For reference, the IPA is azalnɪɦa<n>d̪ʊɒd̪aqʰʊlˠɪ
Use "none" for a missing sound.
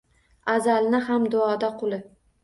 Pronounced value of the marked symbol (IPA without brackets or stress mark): m